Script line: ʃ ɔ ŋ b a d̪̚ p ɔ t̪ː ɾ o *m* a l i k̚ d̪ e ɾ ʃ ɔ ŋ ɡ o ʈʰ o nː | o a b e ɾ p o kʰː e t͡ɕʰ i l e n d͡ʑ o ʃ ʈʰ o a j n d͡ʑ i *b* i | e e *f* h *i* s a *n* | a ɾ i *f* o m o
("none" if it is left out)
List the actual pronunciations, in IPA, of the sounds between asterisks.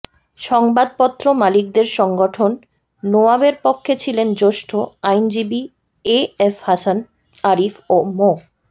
m, b, f, a, n, f

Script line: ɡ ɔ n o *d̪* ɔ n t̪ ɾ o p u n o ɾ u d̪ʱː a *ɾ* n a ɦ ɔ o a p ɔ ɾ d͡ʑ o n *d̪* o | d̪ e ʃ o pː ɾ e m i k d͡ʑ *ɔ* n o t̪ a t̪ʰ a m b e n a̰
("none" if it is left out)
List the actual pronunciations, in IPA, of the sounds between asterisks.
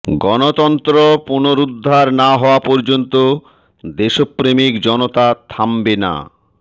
t̪, ɾ, t̪, ɔ

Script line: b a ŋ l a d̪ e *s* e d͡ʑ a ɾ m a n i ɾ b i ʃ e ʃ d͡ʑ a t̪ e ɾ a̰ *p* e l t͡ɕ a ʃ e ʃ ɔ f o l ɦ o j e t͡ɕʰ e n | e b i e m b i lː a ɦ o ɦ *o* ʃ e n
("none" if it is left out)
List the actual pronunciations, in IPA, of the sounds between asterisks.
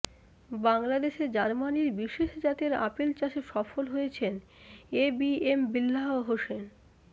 ʃ, p, o

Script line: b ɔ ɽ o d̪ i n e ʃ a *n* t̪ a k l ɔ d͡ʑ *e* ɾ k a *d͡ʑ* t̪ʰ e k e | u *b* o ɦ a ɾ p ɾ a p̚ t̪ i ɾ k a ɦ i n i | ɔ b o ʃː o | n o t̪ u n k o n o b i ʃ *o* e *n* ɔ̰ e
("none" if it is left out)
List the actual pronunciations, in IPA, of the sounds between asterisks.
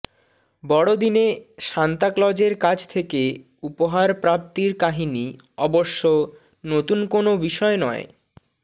n, e, d͡ʑ, p, ɔ, n

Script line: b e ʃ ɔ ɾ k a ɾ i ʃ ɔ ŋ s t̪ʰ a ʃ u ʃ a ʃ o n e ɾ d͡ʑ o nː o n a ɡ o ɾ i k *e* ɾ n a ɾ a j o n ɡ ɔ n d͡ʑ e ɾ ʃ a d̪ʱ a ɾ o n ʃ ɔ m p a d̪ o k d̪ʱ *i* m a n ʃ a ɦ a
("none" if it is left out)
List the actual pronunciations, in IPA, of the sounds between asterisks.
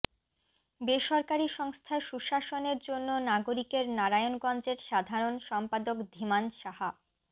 e, i

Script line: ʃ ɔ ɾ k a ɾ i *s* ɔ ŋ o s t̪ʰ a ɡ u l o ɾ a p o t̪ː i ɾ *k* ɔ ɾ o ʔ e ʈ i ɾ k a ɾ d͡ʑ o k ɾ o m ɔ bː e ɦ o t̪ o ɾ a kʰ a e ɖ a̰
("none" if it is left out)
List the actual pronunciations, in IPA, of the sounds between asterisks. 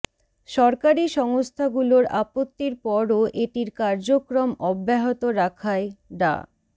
ʃ, p

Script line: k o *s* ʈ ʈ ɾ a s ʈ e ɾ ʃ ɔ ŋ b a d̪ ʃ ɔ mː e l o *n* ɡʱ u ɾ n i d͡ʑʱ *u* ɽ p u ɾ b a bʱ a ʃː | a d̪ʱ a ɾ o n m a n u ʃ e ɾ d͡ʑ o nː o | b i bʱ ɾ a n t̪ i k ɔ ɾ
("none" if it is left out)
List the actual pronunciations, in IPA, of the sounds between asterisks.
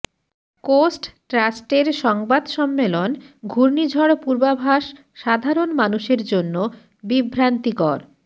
s, n, ɔ

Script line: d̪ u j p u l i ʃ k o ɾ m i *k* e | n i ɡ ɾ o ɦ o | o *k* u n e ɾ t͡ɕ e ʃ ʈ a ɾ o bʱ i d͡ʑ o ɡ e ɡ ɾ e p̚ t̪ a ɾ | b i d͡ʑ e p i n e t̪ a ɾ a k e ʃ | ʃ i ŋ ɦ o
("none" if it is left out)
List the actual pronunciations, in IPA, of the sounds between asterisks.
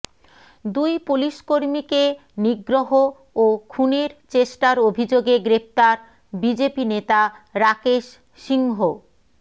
k, kʰ

